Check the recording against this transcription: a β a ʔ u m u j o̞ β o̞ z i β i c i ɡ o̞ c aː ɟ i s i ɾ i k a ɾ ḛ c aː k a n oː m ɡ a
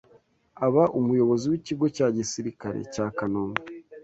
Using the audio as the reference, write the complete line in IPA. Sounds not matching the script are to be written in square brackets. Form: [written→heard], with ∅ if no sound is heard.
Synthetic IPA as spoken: a β a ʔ u m u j o̞ β o̞ z i [β→w] i c i ɡ o̞ c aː ɟ i s i ɾ i k a ɾ ḛ c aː k a n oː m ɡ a